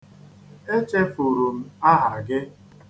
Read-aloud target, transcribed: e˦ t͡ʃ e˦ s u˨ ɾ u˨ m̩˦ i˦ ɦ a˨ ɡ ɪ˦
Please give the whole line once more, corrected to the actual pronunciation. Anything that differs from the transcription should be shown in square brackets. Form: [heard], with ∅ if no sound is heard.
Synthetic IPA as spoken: e˦ t͡ʃ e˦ [f] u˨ ɾ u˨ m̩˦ [a˦] ɦ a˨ ɡ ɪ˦